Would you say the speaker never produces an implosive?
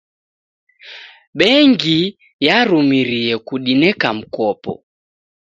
no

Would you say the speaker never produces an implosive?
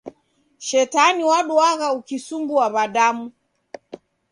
no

